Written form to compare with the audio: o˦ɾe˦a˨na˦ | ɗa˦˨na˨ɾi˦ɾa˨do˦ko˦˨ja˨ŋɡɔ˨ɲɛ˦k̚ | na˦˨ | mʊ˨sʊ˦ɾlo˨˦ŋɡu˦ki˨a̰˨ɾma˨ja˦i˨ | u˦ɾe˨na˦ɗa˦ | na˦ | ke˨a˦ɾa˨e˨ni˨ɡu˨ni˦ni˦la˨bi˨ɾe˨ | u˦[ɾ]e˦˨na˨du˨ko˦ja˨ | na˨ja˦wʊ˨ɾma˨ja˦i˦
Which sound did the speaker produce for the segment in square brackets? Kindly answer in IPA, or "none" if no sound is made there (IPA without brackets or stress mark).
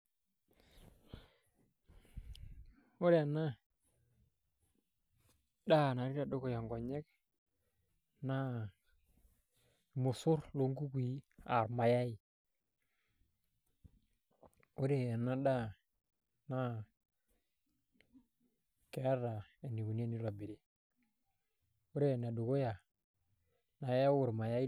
ɾ